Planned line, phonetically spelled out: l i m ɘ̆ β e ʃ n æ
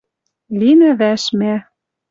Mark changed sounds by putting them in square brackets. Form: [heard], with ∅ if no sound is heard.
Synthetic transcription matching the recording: l i [n] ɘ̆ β [æ] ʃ [m] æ